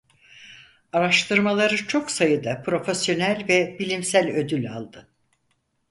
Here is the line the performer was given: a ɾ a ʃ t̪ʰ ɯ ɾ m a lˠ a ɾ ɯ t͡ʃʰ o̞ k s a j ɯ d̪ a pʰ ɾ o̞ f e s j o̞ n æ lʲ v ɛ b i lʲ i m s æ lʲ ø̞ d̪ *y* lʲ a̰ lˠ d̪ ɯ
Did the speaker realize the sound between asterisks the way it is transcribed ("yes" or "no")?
yes